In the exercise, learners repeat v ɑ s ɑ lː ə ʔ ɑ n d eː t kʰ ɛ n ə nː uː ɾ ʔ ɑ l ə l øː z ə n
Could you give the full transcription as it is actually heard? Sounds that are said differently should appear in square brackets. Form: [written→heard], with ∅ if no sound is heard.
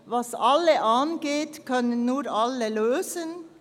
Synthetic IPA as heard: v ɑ s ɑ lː ə ʔ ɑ n [d→ɡ] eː t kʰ [ɛ→œ] n ə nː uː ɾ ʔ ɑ l ə l øː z ə n